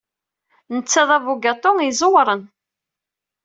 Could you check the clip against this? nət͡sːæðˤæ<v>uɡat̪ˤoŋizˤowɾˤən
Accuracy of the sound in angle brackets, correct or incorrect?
correct